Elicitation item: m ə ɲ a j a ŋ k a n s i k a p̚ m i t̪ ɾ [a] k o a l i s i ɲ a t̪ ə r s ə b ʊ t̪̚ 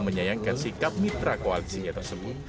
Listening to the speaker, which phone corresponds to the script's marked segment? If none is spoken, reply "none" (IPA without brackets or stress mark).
a